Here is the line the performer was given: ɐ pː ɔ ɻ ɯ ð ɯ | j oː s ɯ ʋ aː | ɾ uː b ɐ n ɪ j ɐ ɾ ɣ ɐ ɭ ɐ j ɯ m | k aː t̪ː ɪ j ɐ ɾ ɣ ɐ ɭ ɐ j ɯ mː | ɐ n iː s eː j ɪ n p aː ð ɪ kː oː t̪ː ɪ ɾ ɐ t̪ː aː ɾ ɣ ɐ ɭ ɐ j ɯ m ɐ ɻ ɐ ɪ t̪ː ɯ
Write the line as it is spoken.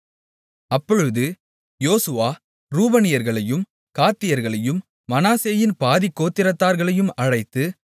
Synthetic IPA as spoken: ɐ pː ɔ ɻ ɯ ð ɯ | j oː s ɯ ʋ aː | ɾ uː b ɐ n ɪ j ɐ ɾ ɣ ɐ ɭ ɐ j ɯ m | k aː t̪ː ɪ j ɐ ɾ ɣ ɐ ɭ ɐ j ɯ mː | ɐ n aː s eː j ɪ n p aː ð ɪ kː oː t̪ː ɪ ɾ ɐ t̪ː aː ɾ ɣ ɐ ɭ ɐ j ɯ m ɐ ɻ ɐ ɪ t̪ː ɯ